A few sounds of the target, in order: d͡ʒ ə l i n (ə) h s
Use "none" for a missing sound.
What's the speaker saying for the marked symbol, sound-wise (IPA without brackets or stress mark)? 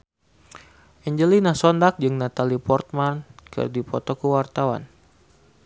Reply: a